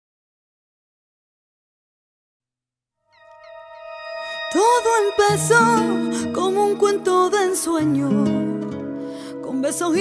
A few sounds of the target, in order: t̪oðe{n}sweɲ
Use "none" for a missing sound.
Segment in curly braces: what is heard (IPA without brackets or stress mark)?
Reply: n